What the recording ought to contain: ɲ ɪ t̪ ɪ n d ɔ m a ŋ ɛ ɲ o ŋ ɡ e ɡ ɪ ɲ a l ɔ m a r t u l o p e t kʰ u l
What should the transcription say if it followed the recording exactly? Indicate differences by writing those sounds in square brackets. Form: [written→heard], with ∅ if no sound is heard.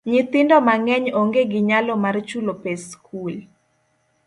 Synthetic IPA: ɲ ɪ t̪ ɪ n d ɔ m a ŋ ɛ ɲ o ŋ ɡ e ɡ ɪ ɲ a l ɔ m a r [t→t͡ʃ] u l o p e [t→s] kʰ u l